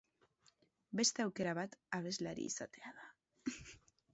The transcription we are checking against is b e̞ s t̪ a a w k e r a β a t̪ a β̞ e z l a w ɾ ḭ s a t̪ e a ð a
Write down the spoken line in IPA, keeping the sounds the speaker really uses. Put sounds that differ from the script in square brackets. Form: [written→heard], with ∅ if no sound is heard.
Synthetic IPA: b e̞ s t̪ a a w k e [r→ɾ] a β a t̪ a β̞ e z l a [w→∅] ɾ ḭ s a t̪ e a ð a